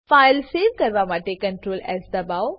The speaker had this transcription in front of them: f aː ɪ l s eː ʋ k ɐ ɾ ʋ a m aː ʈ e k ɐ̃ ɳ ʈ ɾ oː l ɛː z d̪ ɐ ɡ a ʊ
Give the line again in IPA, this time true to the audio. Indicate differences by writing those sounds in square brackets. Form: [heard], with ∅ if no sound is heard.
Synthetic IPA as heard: f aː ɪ l s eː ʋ k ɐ ɾ ʋ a m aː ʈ e k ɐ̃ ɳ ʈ ɾ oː l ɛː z d̪ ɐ [b] a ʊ